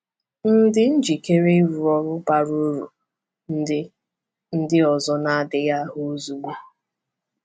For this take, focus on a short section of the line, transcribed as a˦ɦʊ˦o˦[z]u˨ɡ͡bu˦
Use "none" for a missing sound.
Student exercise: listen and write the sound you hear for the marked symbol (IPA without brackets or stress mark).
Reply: z